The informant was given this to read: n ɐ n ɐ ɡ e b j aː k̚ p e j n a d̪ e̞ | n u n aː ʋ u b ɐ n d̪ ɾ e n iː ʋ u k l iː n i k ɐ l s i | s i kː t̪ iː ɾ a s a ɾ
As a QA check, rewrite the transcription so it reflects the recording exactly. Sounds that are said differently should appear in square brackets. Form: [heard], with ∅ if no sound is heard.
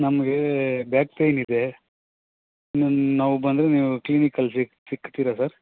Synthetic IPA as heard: n ɐ [m] ɐ ɡ e b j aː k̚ p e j n [i] d̪ e̞ | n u n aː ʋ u b ɐ n d̪ ɾ e n iː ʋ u k l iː n i k ɐ l s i | s i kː t̪ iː ɾ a s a ɾ

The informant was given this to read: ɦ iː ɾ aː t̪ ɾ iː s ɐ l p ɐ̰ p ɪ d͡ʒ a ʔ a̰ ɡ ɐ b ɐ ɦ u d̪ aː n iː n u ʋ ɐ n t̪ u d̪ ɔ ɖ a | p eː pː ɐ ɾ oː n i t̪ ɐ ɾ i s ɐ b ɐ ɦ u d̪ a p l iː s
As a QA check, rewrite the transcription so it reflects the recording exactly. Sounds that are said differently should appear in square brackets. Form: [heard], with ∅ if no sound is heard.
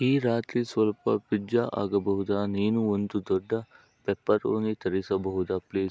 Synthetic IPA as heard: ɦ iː ɾ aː t̪ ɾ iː s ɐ l p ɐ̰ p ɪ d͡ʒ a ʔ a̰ ɡ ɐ b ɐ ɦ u d̪ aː n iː n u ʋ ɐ n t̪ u d̪ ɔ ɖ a | p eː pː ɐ ɾ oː n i t̪ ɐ ɾ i s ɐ b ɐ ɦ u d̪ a p l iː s

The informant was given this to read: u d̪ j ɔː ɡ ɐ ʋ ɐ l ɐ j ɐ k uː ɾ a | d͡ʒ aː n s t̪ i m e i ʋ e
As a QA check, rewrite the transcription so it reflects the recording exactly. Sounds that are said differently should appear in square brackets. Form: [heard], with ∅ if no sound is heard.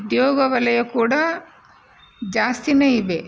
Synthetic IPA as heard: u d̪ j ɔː ɡ ɐ ʋ ɐ l ɐ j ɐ k uː [ɽ] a | d͡ʒ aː [∅] s t̪ i [n] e i ʋ e

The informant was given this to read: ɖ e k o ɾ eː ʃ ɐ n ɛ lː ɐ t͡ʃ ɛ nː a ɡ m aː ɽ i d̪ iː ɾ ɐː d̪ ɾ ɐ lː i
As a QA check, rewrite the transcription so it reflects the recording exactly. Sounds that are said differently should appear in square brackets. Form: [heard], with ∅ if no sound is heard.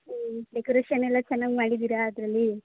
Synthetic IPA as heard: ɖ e k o ɾ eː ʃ ɐ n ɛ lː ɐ t͡ʃ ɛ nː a ɡ m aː ɽ i d̪ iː ɾ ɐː d̪ ɾ ɐ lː i

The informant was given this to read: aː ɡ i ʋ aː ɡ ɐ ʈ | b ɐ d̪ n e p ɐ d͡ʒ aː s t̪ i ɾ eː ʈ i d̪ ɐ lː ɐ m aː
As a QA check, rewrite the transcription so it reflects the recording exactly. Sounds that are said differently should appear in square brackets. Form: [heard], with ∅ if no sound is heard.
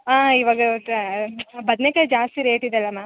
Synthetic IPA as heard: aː [∅] i ʋ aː ɡ ɐ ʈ | b ɐ d̪ n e [k] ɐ d͡ʒ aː s t̪ i ɾ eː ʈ i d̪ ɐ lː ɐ m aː

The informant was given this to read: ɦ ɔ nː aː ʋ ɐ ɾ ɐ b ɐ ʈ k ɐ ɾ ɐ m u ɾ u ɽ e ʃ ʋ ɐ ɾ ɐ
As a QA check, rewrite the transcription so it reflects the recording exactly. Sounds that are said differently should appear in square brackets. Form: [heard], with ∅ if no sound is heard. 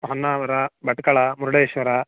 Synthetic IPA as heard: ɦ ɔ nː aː ʋ ɐ ɾ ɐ b ɐ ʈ k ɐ [ɭ] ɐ m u ɾ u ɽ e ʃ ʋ ɐ ɾ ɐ

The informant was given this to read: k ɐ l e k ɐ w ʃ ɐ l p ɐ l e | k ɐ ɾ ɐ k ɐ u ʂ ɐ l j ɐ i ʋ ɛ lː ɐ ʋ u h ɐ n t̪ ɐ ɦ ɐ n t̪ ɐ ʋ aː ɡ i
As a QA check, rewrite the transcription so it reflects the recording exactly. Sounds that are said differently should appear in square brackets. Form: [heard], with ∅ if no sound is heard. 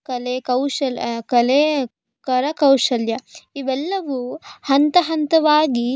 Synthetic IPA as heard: k ɐ l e k ɐ w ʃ ɐ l [k] ɐ l e | k ɐ ɾ ɐ k ɐ [w] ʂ ɐ l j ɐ i ʋ ɛ lː ɐ ʋ u h ɐ n t̪ ɐ ɦ ɐ n t̪ ɐ ʋ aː ɡ i

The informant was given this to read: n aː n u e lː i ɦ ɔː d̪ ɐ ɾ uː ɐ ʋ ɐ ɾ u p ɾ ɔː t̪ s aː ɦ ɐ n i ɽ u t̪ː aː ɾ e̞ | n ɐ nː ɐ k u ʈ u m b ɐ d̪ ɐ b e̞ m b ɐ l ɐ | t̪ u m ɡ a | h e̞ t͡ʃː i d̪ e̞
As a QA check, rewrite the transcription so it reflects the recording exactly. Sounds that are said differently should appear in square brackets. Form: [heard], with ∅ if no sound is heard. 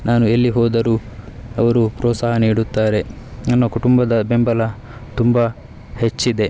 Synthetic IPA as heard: n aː n u e lː i ɦ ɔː d̪ ɐ ɾ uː ɐ ʋ ɐ ɾ u p ɾ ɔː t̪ s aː ɦ ɐ n [iː] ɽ u t̪ː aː ɾ e̞ | n ɐ nː ɐ k u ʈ u m b ɐ d̪ ɐ b e̞ m b ɐ l ɐ | t̪ u m [b] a | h e̞ t͡ʃː i d̪ e̞

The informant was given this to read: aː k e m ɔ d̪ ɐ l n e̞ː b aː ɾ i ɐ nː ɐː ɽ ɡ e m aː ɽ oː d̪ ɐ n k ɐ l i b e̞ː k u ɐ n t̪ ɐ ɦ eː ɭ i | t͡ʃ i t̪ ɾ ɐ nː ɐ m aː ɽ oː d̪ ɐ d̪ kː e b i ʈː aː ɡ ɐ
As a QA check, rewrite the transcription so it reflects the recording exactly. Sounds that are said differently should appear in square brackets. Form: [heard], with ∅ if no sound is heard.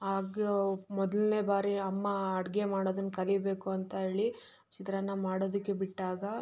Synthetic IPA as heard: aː [ɡ] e m ɔ d̪ ɐ l n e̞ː b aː ɾ i ɐ [mː] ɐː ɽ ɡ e m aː ɽ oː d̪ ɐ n k ɐ l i b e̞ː k u ɐ n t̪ ɐ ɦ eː ɭ i | t͡ʃ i t̪ ɾ ɐ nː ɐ m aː ɽ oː d̪ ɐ [∅] kː e b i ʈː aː ɡ ɐ

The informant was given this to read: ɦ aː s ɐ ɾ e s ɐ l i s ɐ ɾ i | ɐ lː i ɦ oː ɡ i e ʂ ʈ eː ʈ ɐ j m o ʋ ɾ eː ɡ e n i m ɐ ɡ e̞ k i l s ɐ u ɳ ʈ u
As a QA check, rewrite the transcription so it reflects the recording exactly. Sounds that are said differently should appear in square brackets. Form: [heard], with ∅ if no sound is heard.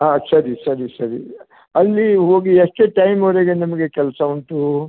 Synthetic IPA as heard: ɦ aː s ɐ ɾ [i] s ɐ [ɾ] i s ɐ ɾ i | ɐ lː i ɦ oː ɡ i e ʂ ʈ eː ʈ ɐ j m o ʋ ɾ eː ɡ e n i m ɐ ɡ e̞ k [ɛ] l s ɐ u ɳ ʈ u

